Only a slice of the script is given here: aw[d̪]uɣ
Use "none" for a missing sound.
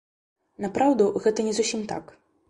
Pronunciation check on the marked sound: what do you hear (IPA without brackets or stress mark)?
d̪